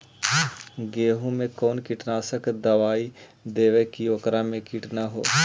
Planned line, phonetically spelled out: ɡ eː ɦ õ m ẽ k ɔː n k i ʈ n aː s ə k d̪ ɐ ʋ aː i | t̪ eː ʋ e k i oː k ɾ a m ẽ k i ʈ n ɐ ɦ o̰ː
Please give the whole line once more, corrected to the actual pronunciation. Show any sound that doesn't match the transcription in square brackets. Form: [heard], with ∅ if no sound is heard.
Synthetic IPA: ɡ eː ɦ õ m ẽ k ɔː n k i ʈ n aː s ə k d̪ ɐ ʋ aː i | [d̪] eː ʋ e k i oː k ɾ a m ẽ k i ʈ n [a] ɦ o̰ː